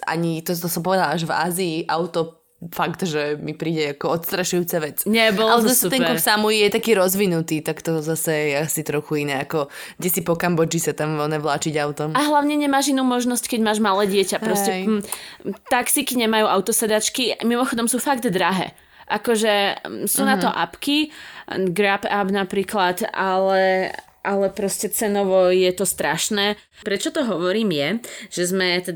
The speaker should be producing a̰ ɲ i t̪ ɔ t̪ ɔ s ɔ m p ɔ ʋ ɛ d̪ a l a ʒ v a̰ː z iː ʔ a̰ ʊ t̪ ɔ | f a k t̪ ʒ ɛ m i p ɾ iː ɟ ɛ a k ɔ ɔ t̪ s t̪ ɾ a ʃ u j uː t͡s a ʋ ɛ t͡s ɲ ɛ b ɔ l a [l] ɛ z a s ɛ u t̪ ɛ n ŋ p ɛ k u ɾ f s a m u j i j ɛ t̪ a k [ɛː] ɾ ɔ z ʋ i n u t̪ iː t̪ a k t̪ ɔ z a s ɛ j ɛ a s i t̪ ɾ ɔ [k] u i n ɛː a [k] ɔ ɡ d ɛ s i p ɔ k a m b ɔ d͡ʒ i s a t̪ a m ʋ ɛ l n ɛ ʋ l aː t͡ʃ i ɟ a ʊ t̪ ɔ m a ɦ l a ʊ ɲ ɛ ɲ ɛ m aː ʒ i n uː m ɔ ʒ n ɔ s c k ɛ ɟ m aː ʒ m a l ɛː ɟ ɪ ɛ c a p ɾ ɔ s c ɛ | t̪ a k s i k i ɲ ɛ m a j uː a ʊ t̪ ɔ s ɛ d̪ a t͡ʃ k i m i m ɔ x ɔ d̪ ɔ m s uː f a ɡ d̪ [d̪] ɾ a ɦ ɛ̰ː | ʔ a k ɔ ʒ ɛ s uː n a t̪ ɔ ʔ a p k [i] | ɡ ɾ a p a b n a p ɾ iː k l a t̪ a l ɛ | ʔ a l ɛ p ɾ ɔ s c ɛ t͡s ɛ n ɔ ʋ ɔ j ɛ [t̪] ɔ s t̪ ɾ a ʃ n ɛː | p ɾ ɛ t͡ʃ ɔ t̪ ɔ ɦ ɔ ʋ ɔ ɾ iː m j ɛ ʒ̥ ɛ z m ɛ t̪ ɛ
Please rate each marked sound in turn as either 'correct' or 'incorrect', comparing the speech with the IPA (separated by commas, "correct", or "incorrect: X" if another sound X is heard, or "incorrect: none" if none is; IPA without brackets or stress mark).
correct, incorrect: iː, incorrect: x, correct, correct, correct, correct